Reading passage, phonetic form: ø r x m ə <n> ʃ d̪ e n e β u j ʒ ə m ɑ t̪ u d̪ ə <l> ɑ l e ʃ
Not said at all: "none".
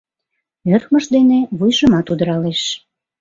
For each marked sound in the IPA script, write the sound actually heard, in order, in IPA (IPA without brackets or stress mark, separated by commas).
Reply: none, ɾ